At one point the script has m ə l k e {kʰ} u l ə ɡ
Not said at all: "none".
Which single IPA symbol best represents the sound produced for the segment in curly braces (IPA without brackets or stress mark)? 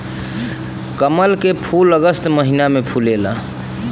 pʰ